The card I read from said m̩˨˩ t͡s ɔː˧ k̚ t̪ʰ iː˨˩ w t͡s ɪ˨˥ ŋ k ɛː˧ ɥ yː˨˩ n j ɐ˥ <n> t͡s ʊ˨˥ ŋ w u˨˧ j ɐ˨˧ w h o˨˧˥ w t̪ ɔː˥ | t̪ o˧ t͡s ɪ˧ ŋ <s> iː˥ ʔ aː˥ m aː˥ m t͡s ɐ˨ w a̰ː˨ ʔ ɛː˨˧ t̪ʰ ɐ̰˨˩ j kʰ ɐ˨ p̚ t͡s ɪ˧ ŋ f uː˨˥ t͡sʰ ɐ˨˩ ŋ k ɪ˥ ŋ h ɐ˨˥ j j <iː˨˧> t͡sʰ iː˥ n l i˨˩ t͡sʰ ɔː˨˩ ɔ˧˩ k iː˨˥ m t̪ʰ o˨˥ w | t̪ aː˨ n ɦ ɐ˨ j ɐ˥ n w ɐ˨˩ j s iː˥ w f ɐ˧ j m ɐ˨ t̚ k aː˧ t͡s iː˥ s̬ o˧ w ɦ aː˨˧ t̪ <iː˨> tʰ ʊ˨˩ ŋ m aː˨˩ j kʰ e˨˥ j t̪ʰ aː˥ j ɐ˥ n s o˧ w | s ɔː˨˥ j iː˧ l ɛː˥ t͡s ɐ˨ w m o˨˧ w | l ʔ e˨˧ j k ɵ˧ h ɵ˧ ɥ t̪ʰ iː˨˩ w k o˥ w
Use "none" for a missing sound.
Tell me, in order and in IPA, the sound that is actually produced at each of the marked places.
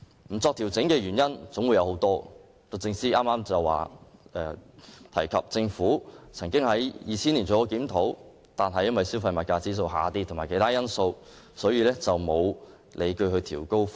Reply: n, s, iː˨˧, iː˥

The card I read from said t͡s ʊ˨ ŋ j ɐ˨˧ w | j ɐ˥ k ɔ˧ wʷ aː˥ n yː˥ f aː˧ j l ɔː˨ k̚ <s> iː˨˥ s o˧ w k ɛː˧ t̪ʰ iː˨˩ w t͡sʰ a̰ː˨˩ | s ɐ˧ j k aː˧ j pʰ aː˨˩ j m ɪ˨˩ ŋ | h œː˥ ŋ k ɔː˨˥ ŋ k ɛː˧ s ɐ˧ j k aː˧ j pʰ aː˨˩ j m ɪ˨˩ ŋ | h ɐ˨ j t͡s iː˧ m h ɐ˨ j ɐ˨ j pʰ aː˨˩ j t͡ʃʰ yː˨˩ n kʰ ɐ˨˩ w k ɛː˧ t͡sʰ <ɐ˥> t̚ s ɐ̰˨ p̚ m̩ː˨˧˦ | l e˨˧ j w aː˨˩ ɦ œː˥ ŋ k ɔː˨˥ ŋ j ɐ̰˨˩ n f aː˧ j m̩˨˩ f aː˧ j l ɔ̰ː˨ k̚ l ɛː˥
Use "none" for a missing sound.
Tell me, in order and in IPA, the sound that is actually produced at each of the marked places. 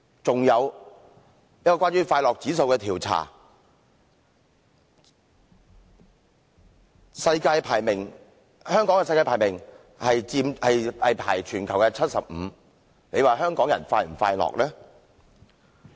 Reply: t͡s, ɐ˥

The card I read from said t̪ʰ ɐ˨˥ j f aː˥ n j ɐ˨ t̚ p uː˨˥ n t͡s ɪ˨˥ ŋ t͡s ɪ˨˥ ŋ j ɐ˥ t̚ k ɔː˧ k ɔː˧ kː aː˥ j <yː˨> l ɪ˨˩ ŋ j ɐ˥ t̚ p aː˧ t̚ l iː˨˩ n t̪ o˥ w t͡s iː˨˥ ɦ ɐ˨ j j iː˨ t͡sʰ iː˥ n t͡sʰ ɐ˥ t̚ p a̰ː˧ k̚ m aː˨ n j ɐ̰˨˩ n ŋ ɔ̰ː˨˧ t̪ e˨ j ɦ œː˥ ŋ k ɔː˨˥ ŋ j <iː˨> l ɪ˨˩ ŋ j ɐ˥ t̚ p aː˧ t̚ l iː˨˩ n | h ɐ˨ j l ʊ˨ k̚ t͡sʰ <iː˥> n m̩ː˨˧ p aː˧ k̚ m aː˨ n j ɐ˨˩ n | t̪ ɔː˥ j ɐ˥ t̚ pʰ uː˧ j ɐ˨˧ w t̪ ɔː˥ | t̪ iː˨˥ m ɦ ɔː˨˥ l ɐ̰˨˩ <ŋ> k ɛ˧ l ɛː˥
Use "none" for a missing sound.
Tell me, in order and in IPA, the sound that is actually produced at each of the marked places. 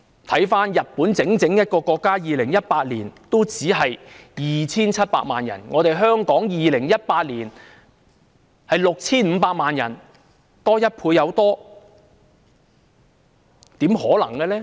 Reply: iː˨, iː˨, iː˥, ŋ

